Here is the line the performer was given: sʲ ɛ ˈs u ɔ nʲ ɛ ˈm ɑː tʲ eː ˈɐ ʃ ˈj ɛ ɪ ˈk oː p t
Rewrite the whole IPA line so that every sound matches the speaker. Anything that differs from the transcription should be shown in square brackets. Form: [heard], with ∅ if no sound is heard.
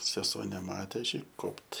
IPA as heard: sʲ ɛ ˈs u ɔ nʲ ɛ ˈm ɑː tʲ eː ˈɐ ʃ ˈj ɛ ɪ ˈk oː p t